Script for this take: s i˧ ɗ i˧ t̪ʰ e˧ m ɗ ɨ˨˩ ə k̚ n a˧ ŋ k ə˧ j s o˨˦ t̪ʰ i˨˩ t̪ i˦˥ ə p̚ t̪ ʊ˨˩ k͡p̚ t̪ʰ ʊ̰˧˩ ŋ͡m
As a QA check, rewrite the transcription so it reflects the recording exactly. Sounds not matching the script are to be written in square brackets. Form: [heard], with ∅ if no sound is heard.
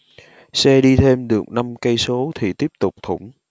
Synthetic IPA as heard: s [ɛ˧] ɗ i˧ t̪ʰ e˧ m ɗ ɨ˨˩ ə k̚ n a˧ [m] k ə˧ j s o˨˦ t̪ʰ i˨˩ t̪ i˦˥ ə p̚ t̪ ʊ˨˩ k͡p̚ t̪ʰ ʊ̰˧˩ ŋ͡m